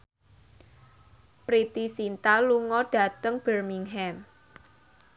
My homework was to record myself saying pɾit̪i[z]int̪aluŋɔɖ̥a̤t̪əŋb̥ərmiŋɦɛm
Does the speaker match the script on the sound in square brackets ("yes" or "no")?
no